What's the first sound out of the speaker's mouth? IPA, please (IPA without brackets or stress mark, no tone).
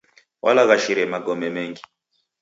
w